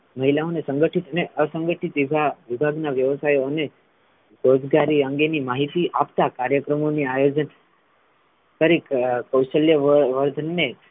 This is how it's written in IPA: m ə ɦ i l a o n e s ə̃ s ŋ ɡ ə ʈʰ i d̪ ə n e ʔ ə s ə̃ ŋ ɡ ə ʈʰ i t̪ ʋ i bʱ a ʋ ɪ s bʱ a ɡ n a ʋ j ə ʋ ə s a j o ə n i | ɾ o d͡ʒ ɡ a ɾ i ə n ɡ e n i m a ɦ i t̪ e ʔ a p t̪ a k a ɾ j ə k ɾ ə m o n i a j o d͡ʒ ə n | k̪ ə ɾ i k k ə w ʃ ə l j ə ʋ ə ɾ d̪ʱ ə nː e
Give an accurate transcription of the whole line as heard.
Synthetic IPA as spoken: m ə ɦ i l a o n e s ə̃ ŋ ɡ ə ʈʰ i t̪ ə n e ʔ ə s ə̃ ŋ ɡ ə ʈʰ i t̪ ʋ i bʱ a ʋ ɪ bʱ a ɡ n a ʋ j ə ʋ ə s a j o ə n e | ɾ o d͡ʒ ɡ a ɾ i ə ŋ ɡ e n i m a ɦ i t̪ i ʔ a p t̪ a k a ɾ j ə k ɾ ə m o n i a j o d͡ʒ ə n | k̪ ə ɾ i k k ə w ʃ ə l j ə ʋ ə ɾ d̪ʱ ə nː e

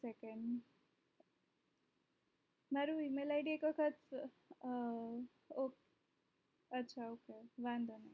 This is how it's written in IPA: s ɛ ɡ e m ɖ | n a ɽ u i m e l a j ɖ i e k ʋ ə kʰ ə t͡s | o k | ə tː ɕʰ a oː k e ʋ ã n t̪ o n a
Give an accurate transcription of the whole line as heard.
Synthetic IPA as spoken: s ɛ k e ɳ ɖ | m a ɾ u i m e l a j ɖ i e k ʋ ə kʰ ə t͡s | o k | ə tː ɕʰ a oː k e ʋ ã n d̪ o n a

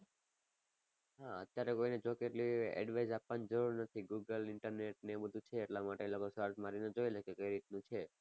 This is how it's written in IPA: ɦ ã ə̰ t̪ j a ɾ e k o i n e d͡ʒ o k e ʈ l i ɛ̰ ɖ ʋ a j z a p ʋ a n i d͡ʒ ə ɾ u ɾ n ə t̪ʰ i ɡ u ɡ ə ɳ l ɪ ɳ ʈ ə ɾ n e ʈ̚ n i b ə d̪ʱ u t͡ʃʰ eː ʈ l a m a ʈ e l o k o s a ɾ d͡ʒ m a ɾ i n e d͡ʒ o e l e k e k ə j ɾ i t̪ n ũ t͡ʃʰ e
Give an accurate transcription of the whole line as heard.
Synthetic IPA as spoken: ɦ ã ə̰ t̪ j a ɾ e k o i n e d͡ʒ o k e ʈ l i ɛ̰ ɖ ʋ a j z a p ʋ a n i d͡ʒ ə ɾ u ɾ n ə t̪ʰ i ɡ u ɡ ə l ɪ ɳ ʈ ə ɾ n e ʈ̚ n e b ə d̪ʱ u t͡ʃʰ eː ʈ l a m a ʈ e l o k o s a ɾ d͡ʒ m a ɾ i n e d͡ʒ o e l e k e k ə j ɾ i t̪ n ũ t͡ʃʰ e

